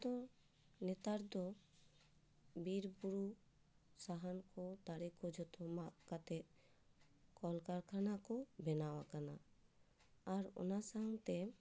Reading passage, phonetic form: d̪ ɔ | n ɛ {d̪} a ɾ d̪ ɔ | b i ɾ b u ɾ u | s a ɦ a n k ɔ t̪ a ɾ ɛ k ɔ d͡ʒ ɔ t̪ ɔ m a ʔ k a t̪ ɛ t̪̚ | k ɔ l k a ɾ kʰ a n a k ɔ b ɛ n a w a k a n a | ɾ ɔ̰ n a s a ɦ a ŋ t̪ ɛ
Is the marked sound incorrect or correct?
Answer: incorrect